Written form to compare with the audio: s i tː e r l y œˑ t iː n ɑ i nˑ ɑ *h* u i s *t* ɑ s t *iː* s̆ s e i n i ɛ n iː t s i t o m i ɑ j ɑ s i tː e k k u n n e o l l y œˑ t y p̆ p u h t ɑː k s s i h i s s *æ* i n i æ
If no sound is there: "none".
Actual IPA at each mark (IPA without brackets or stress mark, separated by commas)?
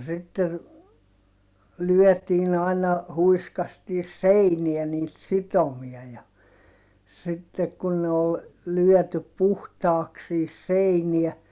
h, k, iː, e